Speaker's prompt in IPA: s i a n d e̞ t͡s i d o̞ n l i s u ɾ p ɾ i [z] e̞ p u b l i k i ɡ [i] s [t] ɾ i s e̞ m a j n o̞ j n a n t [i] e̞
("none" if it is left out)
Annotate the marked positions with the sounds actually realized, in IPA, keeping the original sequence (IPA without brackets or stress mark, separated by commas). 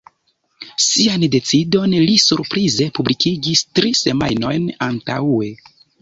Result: z, i, t, a